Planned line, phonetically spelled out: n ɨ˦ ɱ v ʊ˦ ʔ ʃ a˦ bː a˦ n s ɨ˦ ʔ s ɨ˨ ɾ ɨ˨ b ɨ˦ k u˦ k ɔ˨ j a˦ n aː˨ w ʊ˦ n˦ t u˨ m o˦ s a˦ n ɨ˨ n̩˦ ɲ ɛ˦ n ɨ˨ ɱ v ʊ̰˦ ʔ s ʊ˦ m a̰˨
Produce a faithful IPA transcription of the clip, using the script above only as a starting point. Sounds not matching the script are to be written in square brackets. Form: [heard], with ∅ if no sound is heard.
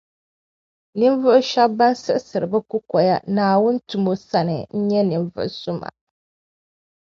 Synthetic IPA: n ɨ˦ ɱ v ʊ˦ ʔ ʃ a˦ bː a˦ n s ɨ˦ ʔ s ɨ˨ ɾ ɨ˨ b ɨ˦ k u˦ k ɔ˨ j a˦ n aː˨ w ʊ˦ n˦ t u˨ m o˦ s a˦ n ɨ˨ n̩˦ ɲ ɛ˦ n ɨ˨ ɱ v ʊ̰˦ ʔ s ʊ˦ m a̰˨

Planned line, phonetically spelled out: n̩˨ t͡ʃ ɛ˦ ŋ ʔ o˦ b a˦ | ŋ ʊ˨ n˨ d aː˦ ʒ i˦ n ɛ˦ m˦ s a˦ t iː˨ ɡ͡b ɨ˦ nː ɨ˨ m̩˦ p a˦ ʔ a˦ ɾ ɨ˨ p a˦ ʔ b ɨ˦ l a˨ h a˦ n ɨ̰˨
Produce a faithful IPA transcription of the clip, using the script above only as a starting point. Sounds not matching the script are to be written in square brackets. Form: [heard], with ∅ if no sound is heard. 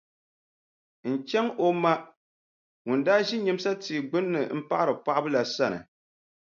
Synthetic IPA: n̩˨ t͡ʃ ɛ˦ ŋ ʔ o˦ [m] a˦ | ŋ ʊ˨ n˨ d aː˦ ʒ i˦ [ɲ] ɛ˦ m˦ s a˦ t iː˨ ɡ͡b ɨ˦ nː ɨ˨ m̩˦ p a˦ ʔ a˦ ɾ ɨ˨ p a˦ ʔ b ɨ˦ l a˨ [s] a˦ n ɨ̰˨

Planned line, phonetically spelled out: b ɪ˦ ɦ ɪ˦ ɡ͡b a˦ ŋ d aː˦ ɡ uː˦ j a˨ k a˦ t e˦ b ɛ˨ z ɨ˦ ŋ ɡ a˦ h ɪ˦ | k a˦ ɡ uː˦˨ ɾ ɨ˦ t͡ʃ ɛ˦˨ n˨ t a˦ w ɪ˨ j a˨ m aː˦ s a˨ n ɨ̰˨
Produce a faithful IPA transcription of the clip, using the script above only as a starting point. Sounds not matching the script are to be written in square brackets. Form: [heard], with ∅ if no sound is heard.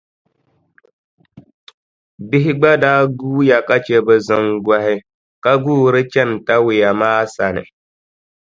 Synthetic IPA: b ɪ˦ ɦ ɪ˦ ɡ͡b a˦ [∅] d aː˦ ɡ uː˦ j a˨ k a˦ [t͡ʃ] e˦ b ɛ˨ z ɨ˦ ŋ ɡ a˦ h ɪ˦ | k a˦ ɡ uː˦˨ ɾ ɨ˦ t͡ʃ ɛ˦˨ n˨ t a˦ w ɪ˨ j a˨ m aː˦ s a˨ n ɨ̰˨

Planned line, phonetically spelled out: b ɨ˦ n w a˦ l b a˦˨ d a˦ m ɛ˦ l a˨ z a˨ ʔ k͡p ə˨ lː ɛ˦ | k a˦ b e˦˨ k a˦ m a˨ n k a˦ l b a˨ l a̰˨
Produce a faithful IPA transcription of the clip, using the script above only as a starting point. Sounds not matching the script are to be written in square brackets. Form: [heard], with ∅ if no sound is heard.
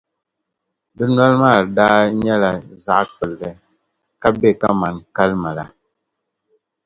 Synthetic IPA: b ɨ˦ n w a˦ l [m] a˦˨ d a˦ [ɲ] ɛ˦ l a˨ z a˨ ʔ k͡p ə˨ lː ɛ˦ | k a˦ b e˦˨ k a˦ m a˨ n k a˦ l [m] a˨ l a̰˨

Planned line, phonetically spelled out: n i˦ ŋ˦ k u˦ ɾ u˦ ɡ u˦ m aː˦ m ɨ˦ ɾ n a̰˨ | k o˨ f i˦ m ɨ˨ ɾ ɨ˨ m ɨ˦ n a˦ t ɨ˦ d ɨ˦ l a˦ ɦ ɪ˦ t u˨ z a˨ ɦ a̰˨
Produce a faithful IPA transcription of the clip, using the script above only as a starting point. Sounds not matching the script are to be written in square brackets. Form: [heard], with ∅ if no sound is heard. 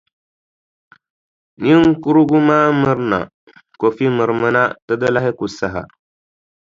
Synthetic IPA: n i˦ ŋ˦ k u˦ ɾ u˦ ɡ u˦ m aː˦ m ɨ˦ ɾ n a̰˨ | k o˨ f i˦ m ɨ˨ ɾ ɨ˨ m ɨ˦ n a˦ t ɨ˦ d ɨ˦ l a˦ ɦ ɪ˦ [k] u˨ [s] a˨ ɦ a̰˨

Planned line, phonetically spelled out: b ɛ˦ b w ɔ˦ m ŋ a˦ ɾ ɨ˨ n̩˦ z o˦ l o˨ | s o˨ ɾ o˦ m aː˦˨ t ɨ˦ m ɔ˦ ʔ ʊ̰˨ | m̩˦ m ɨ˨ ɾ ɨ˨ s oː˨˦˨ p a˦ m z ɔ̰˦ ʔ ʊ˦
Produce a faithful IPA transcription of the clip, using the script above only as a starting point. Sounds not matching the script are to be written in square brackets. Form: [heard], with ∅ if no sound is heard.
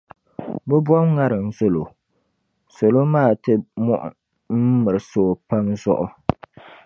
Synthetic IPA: b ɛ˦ b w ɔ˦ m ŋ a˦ ɾ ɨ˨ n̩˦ z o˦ l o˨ | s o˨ [l] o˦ m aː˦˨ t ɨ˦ m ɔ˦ ʔ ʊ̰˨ | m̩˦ m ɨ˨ ɾ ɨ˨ s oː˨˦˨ p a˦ m z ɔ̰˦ ʔ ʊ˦

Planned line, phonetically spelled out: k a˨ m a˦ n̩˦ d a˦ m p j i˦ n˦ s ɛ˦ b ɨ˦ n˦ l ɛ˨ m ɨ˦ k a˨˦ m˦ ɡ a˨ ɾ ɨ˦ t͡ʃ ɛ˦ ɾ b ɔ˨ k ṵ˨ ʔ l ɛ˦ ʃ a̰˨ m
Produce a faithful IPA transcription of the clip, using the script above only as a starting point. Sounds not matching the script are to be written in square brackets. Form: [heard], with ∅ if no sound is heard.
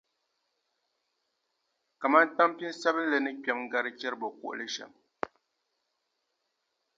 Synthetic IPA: k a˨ m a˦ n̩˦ [t] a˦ m p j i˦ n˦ s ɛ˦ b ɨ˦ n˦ l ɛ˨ [n] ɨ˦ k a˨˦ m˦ ɡ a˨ ɾ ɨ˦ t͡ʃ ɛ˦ ɾ b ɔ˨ k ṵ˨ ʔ l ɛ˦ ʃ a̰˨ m

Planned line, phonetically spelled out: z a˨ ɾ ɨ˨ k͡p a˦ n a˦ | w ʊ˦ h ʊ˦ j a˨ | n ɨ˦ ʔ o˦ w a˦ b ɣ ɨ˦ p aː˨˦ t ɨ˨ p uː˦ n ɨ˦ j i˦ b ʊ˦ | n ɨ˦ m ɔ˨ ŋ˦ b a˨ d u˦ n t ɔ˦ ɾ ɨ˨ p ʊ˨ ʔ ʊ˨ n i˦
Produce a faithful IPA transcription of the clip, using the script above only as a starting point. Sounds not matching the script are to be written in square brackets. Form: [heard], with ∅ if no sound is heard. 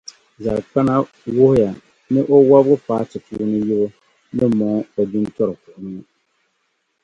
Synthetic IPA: z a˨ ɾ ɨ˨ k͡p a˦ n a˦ | w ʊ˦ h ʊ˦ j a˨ | n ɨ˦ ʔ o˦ w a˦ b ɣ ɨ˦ p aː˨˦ t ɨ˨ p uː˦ n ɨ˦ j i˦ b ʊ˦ | n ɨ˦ m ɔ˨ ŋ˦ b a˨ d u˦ n t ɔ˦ ɾ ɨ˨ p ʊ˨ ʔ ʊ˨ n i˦

